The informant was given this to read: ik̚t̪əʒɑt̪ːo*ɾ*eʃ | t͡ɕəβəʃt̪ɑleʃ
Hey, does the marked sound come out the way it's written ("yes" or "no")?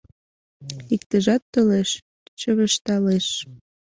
no